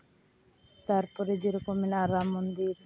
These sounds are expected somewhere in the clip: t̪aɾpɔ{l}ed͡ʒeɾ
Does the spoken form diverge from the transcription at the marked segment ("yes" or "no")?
yes